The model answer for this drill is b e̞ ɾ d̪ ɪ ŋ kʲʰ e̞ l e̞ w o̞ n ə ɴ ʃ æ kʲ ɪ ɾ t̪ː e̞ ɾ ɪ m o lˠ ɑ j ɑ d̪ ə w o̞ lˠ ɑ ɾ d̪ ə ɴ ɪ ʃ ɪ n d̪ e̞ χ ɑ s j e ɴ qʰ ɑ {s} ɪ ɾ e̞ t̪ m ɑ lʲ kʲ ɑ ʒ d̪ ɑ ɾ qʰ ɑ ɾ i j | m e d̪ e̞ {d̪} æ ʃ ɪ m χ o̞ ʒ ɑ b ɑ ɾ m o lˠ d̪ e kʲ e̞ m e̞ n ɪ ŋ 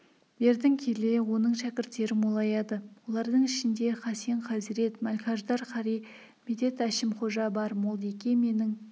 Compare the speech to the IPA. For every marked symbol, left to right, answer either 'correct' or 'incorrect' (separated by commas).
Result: incorrect, incorrect